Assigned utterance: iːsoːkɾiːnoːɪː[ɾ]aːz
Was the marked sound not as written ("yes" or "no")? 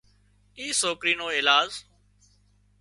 yes